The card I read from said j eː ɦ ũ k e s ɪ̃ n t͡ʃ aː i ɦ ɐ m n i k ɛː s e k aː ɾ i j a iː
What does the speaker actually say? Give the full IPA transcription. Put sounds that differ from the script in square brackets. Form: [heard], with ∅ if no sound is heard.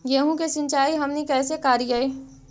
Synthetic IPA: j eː ɦ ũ k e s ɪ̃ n t͡ʃ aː i ɦ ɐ m n i k ɛː s e k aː ɾ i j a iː